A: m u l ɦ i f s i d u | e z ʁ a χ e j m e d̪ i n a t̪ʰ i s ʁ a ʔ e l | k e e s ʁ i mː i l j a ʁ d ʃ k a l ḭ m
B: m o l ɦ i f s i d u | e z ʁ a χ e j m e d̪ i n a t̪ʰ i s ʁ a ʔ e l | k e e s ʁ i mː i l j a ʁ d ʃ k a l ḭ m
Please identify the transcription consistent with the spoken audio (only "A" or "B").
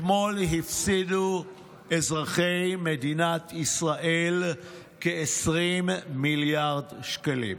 B